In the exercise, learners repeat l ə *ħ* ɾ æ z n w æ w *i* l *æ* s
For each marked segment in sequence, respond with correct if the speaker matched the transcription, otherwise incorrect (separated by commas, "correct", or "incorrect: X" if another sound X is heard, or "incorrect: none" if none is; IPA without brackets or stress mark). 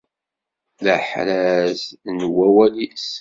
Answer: correct, incorrect: æ, incorrect: i